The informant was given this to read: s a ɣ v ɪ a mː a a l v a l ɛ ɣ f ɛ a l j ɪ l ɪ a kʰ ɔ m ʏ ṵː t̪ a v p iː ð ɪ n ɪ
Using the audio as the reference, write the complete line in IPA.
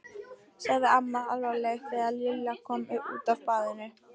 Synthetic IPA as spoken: s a ɣ ð ɪ a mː a a l v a l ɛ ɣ θ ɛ a l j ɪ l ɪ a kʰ ɔ m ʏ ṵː t̪ a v p aː ð ɪ n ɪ

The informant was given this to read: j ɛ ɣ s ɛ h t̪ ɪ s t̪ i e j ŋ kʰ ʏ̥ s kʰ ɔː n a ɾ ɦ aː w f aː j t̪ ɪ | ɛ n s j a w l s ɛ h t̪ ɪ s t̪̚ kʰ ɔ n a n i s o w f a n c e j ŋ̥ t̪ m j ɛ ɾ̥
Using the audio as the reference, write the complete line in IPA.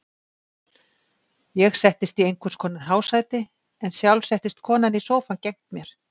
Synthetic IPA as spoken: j ɛ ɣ s ɛ h t̪ ɪ s t̪ i e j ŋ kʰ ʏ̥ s kʰ ɔː n a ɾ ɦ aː w s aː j t̪ ɪ | ɛ n s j a w l s ɛ h t̪ ɪ s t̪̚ kʰ ɔː n a n i s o w f a n c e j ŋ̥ t̪ m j ɛ ɾ̥

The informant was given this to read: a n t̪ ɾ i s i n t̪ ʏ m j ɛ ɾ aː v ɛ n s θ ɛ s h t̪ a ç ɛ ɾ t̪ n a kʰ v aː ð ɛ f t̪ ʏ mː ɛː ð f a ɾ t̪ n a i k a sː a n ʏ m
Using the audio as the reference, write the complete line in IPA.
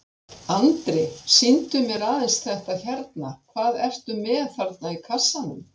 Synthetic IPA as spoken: a n t̪ ɾ ɪ s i n t̪ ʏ m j ɛ ɾ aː ð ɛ n s θ ɛ h t̪ a ç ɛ ɾ t̪ n a kʰ v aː ð ɛ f t̪ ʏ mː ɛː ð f a ɾ t̪ n a i kʰ a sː a n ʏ m

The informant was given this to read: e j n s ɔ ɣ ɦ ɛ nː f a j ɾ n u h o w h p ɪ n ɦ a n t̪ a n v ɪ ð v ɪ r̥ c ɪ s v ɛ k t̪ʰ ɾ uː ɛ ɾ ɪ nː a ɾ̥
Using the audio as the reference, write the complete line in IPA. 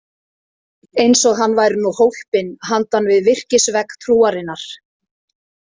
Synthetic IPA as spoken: e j n s ɔ ɣ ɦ a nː v a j ɾ n u h o w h p ɪ n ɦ a n t̪ a n v ɪ ð v ɪ r̥ c ɪ s v ɛ k t̪ʰ ɾ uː a ɾ ɪ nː a ɾ̥

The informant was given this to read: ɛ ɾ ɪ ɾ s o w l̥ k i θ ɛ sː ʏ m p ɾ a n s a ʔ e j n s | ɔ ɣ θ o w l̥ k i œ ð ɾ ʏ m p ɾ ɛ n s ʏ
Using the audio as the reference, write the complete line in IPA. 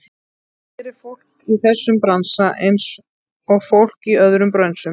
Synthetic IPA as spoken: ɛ ɾ ɪ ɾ f o w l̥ k i θ ɛ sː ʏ m p ɾ a n s a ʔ e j n s | ɔ ɣ f o w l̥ k i œ ð ɾ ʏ m p ɾ œ n s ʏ

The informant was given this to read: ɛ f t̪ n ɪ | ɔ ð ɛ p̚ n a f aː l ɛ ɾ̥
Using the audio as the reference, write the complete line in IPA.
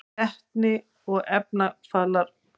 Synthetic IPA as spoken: ɛ h t̪ n ɪ | ɔ ɣ ɛ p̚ n a f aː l a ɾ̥

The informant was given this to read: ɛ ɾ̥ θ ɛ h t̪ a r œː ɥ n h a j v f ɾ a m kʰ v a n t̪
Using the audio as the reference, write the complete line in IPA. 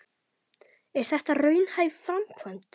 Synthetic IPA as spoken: ɛ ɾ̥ θ ɛ h t̪ a r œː ɥ n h a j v f ɾ a m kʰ v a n t̪

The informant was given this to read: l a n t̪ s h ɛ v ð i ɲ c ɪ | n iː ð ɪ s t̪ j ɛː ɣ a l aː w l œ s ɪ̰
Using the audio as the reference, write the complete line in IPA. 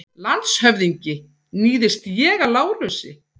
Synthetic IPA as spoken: l a n t̪ s h œ v ð i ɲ c ɪ | n iː ð ɪ s t̪ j ɛː ɣ a l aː w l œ s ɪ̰

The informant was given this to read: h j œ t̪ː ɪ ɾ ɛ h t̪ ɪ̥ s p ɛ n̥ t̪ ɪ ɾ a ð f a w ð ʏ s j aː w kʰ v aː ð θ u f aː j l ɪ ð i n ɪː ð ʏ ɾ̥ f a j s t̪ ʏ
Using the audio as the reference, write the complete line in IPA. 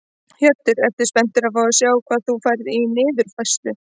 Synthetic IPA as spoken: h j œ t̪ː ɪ ɾ ɛ f t̪ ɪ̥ s p ɛ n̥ t̪ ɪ ɾ a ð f a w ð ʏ s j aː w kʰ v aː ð θ u f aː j ɾ ɪ ð i n ɪː ð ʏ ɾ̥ f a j s t̪ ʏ

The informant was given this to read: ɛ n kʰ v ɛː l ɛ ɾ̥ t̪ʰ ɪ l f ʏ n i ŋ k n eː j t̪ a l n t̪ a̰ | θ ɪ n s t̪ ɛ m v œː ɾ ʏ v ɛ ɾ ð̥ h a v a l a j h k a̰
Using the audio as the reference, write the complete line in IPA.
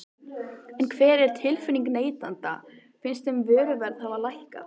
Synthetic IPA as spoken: ɛ n kʰ v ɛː ɾ ɛ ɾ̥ t̪ʰ ɪ l f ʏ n i ŋ k n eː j t̪ a n t̪ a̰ | f ɪ n s t̪ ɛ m v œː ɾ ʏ v ɛ ɾ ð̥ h a v a l a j h k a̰

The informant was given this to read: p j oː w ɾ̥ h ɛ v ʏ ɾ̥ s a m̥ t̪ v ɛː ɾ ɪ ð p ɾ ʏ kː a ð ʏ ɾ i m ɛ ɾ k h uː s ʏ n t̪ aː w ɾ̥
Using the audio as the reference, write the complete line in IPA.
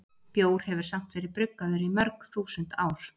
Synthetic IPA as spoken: p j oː w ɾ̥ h ɛ v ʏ ɾ̥ s a m̥ t̪ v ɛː ɾ ɪ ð p ɾ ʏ kː a ð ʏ ɾ i m œ ɾ k θ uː s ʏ n t̪ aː w ɾ̥

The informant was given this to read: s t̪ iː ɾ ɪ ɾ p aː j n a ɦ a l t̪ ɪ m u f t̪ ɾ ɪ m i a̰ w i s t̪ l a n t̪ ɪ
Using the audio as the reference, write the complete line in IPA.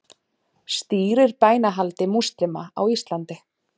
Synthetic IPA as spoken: s t̪ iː ɾ ɪ ɾ p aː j n a ɦ a l t̪ ɪ m u s t̪ ɾ ɪ m a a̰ w i s t̪ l a n t̪ ɪ

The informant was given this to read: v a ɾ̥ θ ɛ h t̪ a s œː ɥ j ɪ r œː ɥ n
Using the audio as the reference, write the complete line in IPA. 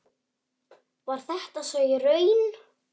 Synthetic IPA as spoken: v a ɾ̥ θ ɛ h t̪ a s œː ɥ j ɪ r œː ɥ n

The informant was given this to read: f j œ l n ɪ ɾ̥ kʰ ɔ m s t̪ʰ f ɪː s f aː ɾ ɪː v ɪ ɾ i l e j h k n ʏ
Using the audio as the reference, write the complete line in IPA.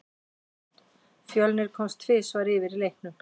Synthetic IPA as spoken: f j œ l n ɪ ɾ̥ kʰ ɔ m s t̪ʰ v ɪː s v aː ɾ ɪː v ɪ ɾ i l e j h k n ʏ

